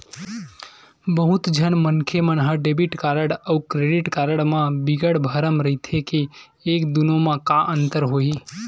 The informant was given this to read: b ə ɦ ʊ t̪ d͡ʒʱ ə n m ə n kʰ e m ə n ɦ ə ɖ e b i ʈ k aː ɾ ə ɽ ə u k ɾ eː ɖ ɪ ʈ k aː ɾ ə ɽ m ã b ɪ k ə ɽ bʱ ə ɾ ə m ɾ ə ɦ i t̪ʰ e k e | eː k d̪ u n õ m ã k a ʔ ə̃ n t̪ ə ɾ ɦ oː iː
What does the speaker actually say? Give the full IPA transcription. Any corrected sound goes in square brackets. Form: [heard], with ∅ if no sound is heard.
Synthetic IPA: b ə ɦ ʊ t̪ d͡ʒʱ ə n m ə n kʰ e m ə n ɦ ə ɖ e b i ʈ k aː ɾ ə ɽ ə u k ɾ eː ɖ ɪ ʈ k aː ɾ ə ɽ m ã b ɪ [ɡ] ə ɽ bʱ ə ɾ ə m ɾ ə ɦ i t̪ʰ e k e | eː k d̪ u n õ m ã k a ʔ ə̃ n t̪ ə ɾ ɦ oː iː